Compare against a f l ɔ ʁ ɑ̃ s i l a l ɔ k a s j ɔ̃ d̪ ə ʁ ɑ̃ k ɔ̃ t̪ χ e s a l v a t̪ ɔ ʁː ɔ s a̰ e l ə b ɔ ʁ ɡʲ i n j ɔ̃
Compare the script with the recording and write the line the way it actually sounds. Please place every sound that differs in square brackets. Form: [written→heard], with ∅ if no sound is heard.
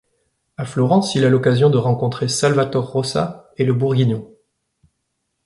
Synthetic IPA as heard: a f l ɔ ʁ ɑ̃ s i l a l ɔ k a [s→z] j ɔ̃ d̪ ə ʁ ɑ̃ k ɔ̃ t̪ χ e s a l v a t̪ ɔ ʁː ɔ s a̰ e l ə b [ɔ→u] ʁ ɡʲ i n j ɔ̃